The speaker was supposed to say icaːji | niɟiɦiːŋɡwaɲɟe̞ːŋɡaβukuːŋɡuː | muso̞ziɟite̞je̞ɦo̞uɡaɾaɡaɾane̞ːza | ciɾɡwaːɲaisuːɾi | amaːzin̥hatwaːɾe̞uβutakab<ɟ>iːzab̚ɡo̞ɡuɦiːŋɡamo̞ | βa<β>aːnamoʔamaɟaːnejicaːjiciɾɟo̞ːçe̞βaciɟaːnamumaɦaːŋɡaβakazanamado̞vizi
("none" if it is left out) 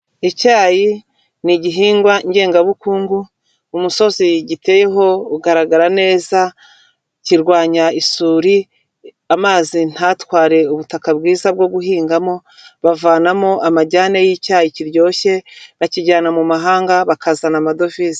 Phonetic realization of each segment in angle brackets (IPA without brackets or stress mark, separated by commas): ɡ, v